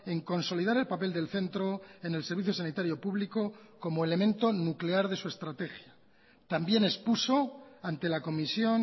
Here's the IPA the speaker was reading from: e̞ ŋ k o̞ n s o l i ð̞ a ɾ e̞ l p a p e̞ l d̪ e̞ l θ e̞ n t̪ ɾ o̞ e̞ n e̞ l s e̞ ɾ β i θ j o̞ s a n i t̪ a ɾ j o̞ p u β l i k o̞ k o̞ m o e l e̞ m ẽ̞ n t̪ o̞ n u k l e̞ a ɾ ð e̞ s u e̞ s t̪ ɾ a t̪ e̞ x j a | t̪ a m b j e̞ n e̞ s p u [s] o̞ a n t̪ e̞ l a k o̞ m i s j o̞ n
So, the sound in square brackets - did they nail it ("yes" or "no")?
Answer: yes